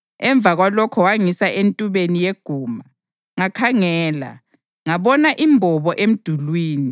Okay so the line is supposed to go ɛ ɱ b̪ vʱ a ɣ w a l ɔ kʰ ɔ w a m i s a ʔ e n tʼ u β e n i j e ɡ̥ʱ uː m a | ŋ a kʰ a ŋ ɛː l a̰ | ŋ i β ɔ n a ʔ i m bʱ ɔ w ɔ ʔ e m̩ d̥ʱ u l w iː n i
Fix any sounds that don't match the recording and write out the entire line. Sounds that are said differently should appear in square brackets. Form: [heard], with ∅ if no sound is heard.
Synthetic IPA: ɛ ɱ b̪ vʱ a ɣ w a l ɔ kʰ ɔ w a [ŋ] i s a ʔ e n tʼ u β e n i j e ɡ̥ʱ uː m a | ŋ a kʰ a ŋ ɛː l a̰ | ŋ [a] β ɔ n a ʔ i m bʱ ɔ [β] ɔ ʔ e m̩ d̥ʱ u l w iː n i